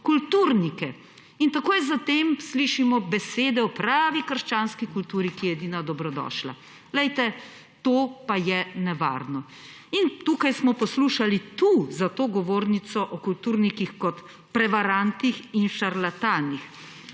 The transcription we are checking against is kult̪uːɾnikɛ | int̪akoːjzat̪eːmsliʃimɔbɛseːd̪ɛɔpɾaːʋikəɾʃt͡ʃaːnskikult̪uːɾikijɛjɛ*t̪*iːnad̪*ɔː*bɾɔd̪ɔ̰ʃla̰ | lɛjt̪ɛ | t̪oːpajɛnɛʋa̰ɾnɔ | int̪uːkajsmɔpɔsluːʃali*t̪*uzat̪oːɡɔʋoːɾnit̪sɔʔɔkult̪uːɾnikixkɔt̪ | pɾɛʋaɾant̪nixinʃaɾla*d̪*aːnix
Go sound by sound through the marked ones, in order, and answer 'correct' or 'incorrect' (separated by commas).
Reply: incorrect, incorrect, correct, incorrect